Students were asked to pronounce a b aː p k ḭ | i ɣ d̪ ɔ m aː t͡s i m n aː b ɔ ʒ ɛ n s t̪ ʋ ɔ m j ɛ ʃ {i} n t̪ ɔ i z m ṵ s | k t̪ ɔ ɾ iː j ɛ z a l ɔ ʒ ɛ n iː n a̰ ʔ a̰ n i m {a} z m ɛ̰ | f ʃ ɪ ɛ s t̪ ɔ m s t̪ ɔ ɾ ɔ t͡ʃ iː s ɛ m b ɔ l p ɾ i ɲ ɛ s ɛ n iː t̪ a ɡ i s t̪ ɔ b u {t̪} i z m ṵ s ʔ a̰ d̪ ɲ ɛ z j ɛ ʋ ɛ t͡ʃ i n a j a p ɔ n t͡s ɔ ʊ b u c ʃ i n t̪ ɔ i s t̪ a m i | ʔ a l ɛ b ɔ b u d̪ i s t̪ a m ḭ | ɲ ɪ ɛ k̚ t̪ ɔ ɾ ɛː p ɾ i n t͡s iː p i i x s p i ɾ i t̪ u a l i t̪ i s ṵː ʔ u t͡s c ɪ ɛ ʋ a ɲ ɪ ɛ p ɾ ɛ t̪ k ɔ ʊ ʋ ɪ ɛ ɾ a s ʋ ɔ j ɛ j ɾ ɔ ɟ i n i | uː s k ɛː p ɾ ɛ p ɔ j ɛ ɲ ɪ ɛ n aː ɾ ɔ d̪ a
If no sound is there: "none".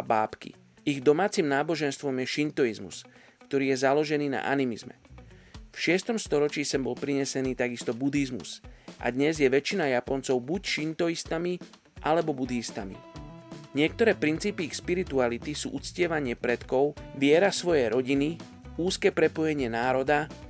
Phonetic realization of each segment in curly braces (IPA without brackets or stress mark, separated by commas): i, i, d̪